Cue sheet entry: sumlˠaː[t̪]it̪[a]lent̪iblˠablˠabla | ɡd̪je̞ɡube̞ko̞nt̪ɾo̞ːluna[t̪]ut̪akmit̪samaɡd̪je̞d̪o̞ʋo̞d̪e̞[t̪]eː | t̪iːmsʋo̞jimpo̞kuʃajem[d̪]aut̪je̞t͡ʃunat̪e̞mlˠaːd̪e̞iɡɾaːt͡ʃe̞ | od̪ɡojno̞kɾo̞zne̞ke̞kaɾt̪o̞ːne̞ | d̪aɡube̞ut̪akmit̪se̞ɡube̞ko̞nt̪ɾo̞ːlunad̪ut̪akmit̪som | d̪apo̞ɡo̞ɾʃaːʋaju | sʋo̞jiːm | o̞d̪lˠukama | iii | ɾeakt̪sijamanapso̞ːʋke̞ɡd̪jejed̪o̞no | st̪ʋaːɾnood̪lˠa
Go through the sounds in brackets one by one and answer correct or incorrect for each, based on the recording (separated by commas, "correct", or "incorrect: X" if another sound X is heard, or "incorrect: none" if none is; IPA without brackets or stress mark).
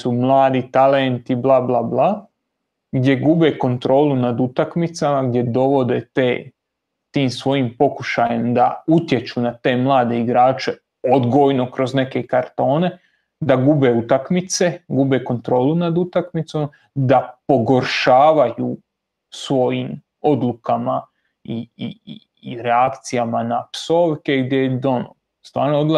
incorrect: d̪, correct, incorrect: d̪, correct, correct